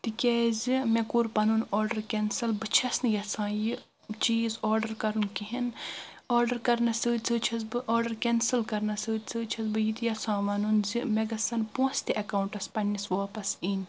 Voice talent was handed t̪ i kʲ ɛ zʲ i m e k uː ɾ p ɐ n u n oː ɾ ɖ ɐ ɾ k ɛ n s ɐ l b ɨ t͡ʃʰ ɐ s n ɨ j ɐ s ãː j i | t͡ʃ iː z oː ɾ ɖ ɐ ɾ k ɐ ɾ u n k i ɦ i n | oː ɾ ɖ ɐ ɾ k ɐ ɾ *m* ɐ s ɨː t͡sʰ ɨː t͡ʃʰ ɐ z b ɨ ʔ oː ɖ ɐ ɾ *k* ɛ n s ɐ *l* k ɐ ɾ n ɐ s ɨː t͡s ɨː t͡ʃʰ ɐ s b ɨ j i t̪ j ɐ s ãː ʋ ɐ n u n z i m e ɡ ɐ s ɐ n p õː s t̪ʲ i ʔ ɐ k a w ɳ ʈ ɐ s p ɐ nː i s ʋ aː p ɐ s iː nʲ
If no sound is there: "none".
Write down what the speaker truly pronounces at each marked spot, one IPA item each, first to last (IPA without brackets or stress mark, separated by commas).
n, k, l